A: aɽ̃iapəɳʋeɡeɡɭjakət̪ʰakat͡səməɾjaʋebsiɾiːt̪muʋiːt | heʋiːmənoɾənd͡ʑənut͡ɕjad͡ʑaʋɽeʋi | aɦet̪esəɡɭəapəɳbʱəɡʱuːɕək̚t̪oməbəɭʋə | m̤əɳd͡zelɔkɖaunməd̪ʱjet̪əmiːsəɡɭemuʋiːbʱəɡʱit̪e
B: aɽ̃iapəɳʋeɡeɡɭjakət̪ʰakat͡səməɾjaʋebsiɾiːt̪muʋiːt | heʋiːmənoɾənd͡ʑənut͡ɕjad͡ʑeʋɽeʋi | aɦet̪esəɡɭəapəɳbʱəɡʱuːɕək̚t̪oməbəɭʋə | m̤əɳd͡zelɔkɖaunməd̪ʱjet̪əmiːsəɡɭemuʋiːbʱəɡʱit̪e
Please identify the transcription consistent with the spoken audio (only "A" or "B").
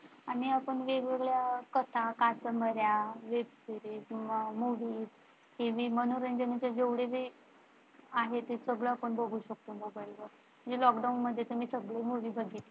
B